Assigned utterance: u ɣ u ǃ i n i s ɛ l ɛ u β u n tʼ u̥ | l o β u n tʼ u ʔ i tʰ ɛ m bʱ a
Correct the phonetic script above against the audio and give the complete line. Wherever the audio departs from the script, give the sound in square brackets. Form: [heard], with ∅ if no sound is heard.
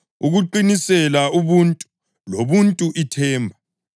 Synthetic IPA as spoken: u ɣ u ǃ i n i s ɛ l [a] u β u n tʼ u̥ | l o β u n tʼ u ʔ i tʰ [ɛː] m bʱ a